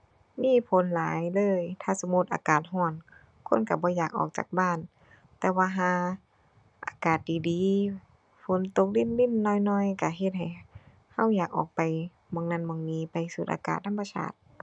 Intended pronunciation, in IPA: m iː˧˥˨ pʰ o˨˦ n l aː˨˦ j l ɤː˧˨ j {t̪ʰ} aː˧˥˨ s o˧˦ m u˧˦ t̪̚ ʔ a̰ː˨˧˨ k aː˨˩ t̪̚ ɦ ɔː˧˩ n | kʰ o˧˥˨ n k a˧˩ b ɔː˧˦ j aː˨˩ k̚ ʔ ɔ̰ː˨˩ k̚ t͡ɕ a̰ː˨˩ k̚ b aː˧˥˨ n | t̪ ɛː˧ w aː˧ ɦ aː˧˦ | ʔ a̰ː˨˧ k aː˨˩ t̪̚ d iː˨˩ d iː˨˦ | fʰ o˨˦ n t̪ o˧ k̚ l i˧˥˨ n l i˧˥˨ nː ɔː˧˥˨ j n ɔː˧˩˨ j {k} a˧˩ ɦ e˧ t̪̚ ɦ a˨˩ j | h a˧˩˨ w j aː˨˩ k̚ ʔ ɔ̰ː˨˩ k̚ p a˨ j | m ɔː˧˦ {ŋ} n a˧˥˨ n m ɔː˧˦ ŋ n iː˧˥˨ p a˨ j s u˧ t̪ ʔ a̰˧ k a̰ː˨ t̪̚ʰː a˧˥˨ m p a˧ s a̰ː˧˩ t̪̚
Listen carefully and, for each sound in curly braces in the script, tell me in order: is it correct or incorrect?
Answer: correct, correct, correct

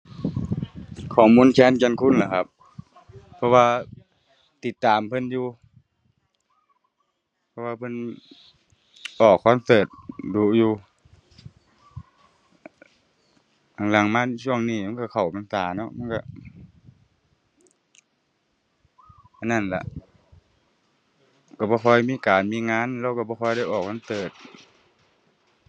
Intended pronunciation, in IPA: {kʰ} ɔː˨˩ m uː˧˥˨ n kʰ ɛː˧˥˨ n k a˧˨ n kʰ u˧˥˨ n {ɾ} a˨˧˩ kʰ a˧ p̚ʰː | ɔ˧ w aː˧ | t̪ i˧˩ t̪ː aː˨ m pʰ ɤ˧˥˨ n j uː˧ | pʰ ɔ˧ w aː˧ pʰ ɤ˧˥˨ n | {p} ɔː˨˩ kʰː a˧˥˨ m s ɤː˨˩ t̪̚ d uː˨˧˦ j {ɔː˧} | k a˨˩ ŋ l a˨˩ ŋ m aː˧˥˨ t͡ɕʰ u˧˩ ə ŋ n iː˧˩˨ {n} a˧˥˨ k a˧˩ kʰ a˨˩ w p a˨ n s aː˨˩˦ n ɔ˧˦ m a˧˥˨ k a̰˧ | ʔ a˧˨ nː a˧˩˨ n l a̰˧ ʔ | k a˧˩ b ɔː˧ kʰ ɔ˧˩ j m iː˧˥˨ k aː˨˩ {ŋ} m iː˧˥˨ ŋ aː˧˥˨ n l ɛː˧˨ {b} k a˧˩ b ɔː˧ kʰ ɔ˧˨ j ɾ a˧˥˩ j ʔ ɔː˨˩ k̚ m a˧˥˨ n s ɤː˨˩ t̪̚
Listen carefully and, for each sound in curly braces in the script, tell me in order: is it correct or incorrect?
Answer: correct, incorrect: l, incorrect: ʔ, incorrect: uː˧, incorrect: m, incorrect: n, incorrect: w

